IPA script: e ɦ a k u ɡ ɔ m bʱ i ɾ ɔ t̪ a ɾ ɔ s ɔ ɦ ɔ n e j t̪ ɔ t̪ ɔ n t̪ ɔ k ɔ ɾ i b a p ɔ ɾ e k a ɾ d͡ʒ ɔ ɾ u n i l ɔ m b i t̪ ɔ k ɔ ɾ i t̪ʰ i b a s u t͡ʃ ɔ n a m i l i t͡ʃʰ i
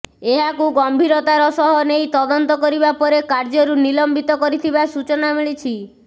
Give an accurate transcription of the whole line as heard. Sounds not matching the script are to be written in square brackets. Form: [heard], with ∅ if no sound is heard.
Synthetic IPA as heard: e ɦ a k u ɡ ɔ m bʱ i ɾ ɔ t̪ a ɾ ɔ s ɔ ɦ ɔ n e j t̪ ɔ [d̪] ɔ n t̪ ɔ k ɔ ɾ i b a p ɔ ɾ e k a ɾ d͡ʒ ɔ ɾ u n i l ɔ m b i t̪ ɔ k ɔ ɾ i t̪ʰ i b a s u t͡ʃ ɔ n a m i [ɭ] i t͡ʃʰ i

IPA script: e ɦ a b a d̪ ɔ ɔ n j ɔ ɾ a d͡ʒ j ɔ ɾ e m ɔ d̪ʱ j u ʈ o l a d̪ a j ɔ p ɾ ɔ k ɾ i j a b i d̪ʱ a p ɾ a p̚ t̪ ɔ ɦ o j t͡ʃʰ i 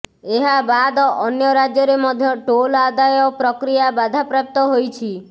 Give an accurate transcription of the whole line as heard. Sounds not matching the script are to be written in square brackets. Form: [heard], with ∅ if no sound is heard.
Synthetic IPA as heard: e ɦ a b a d̪ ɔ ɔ n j ɔ ɾ a d͡ʒ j ɔ ɾ e m ɔ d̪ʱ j [ɔ] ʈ o l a d̪ a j ɔ p ɾ ɔ k ɾ i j a b [a] d̪ʱ a p ɾ a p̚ t̪ ɔ ɦ o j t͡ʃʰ i

